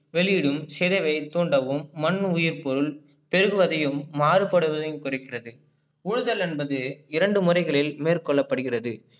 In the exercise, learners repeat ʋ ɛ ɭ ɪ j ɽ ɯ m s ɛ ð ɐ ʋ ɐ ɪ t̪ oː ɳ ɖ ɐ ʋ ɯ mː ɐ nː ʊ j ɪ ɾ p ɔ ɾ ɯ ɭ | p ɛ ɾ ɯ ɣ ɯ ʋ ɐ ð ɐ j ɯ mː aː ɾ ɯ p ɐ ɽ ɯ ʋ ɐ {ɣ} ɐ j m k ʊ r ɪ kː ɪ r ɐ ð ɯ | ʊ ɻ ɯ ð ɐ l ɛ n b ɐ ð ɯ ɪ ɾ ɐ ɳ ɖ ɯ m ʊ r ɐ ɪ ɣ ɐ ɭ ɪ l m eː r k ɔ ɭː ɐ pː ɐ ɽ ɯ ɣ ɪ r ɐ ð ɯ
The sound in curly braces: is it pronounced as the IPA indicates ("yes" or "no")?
no